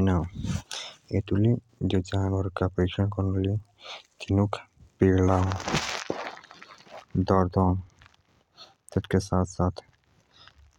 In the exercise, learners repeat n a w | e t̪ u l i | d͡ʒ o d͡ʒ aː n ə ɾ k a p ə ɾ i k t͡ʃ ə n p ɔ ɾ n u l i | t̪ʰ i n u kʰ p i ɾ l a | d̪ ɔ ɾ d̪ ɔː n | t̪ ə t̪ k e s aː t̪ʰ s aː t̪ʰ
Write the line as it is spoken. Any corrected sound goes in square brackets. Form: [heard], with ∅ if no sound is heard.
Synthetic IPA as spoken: n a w | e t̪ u l i | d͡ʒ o d͡ʒ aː n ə ɾ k a p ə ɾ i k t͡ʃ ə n [k] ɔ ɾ n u l i | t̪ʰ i n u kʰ p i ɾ l a | d̪ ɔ ɾ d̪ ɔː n | t̪ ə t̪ k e s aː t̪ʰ s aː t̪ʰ